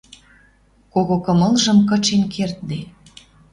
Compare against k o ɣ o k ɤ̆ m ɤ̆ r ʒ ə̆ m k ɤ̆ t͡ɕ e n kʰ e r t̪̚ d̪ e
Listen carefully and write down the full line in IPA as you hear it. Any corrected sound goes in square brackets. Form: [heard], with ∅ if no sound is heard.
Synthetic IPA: k o ɣ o k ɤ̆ m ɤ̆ [l] ʒ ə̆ m k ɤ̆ t͡ɕ e n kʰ e r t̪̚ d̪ e